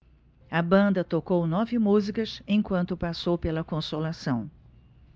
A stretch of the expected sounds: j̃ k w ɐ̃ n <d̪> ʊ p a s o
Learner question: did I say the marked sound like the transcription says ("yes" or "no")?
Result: no